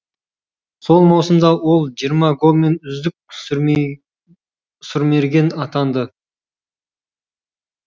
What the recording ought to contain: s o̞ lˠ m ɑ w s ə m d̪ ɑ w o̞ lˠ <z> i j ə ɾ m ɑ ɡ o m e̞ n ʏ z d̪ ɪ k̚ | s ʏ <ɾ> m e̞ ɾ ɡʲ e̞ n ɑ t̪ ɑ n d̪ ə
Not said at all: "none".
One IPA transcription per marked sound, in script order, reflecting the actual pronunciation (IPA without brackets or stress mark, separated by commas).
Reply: ʒ, ɾ